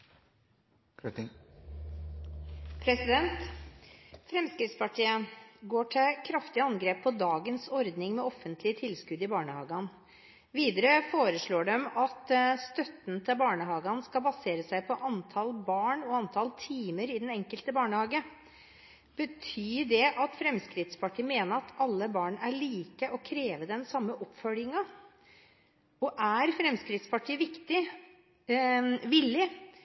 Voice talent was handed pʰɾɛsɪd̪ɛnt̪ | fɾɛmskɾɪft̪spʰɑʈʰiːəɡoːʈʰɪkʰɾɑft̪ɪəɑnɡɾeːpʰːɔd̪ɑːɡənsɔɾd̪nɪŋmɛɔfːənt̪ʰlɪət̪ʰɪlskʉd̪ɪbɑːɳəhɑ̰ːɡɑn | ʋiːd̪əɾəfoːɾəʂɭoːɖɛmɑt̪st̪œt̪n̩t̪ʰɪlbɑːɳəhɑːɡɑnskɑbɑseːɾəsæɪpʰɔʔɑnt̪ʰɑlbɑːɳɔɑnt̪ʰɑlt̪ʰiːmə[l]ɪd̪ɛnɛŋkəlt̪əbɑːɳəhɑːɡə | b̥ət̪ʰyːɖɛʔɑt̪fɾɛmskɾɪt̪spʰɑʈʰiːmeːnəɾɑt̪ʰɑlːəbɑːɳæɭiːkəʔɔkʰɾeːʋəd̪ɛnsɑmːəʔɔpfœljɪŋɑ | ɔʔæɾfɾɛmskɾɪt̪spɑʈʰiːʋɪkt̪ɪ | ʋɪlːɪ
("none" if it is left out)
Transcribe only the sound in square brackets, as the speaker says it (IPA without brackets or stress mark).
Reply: ɾ